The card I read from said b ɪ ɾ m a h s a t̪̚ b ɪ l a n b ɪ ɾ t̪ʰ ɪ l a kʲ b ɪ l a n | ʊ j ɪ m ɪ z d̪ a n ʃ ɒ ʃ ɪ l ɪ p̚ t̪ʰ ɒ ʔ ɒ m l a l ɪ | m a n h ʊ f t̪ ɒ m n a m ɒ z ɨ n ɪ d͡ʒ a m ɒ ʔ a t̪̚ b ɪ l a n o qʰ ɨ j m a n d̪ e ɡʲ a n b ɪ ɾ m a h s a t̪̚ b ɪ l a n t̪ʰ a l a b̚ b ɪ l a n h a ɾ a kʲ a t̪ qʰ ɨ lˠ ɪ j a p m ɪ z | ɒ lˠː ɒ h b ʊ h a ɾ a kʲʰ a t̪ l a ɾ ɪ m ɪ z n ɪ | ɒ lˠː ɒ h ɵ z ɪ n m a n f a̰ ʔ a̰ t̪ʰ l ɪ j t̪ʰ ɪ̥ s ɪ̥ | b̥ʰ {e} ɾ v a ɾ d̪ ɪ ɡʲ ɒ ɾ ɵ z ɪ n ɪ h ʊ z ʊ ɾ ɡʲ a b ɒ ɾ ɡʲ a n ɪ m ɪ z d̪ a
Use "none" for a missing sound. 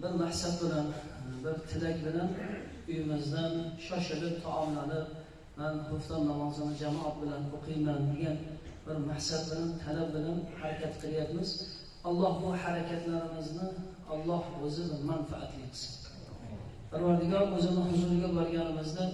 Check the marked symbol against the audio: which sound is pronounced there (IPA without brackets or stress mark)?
a